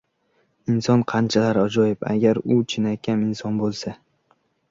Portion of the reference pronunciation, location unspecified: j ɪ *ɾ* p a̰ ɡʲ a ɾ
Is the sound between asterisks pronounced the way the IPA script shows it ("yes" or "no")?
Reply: no